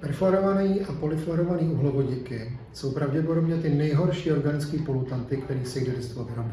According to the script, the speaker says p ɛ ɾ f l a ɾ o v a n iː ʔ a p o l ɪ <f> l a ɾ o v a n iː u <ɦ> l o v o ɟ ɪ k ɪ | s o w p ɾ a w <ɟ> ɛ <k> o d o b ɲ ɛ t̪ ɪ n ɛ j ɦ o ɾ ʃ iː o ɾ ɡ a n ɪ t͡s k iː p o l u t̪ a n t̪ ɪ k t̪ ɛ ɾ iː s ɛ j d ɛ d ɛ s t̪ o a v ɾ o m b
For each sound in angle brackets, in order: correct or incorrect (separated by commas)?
correct, correct, correct, incorrect